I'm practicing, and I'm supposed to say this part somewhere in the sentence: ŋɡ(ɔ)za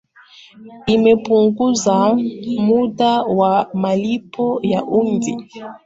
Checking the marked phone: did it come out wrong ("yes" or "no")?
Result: yes